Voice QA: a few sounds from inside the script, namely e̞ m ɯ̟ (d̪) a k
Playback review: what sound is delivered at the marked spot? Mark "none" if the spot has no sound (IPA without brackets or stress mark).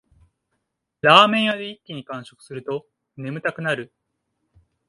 t̪